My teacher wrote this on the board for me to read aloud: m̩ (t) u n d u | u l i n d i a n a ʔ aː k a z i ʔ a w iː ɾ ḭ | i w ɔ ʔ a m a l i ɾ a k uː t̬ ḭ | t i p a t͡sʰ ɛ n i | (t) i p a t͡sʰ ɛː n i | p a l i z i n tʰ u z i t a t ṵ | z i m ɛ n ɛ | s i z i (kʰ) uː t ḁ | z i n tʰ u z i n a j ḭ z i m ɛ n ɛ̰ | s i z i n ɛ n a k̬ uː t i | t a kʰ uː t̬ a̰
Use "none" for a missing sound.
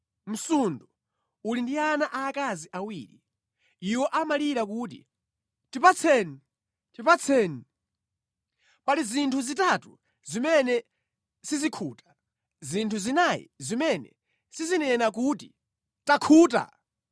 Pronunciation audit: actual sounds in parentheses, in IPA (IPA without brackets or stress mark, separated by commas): s, t, kʰ